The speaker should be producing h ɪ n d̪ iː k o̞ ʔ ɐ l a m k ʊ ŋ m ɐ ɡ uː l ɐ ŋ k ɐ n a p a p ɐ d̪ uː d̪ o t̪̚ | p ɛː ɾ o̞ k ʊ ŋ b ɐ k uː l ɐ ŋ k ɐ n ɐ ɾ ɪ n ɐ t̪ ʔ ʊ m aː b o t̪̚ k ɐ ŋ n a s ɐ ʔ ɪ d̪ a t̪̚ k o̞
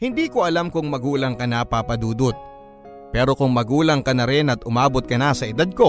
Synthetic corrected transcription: h ɪ n d̪ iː k o̞ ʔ ɐ l a m k ʊ ŋ m ɐ ɡ uː l ɐ ŋ k ɐ n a p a p ɐ d̪ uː d̪ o t̪̚ | p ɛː ɾ o̞ k ʊ ŋ m ɐ ɡ uː l ɐ ŋ k ɐ n ɐ ɾ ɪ n ɐ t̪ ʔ ʊ m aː b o t̪̚ k ɐ n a s ɐ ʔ ɪ d̪ a d̪̚ k o̞